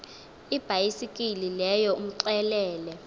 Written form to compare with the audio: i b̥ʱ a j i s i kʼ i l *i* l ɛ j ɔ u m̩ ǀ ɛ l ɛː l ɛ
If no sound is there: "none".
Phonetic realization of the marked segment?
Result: i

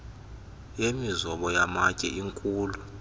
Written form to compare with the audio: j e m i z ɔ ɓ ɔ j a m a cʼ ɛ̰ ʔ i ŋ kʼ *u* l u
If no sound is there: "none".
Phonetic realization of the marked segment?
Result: uː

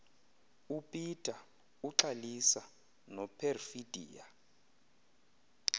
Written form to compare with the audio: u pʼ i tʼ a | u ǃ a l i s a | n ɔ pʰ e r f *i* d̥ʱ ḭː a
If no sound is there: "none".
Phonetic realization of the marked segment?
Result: i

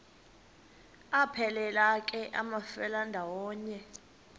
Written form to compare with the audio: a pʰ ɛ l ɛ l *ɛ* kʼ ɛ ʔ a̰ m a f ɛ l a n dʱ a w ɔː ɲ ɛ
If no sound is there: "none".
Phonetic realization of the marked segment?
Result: a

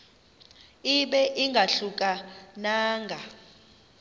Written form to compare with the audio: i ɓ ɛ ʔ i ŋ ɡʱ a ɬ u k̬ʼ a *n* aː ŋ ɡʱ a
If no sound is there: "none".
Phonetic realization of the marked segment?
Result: n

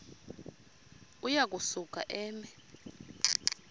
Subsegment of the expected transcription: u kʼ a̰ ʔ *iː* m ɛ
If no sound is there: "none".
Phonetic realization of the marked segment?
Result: ɛː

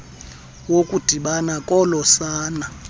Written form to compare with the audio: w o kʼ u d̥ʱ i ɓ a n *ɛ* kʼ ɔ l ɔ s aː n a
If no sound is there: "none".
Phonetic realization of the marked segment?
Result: a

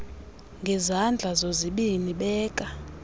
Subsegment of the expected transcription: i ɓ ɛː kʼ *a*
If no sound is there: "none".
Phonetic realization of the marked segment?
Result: a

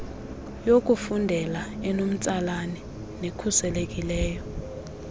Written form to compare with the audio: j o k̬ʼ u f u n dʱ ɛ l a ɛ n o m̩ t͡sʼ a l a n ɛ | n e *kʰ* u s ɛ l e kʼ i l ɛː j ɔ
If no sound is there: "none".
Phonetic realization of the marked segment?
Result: kʰ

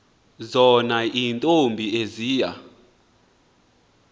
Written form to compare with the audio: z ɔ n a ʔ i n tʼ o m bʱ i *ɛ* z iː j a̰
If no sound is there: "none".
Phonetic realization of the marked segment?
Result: e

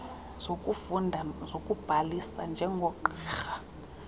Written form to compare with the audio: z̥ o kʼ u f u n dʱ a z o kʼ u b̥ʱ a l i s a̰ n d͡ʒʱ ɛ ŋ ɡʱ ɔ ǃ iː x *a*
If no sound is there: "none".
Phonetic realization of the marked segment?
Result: a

